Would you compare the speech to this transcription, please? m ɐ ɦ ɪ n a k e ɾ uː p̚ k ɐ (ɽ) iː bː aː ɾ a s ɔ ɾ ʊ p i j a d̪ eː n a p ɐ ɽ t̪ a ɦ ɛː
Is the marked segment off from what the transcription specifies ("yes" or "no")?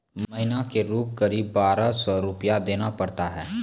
yes